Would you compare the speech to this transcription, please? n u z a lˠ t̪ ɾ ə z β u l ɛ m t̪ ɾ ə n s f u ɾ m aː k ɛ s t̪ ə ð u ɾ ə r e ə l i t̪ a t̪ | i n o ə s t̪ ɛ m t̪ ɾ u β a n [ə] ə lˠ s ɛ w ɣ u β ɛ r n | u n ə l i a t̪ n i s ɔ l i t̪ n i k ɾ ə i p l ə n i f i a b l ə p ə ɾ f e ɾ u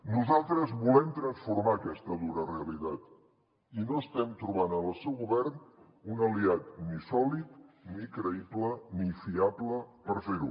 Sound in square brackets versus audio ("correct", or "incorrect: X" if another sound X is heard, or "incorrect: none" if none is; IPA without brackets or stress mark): correct